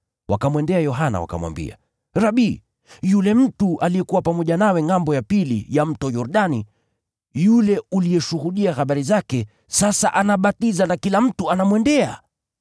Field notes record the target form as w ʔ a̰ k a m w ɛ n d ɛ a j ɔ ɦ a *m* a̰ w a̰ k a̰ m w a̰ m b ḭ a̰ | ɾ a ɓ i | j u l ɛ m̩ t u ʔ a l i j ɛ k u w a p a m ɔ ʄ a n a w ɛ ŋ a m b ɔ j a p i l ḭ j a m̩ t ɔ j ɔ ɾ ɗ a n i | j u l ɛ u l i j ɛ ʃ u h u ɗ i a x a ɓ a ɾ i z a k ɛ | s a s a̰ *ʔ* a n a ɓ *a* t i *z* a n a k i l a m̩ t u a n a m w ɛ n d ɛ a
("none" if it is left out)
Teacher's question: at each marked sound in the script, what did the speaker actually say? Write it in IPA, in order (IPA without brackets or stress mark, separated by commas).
n, ʔ, a, z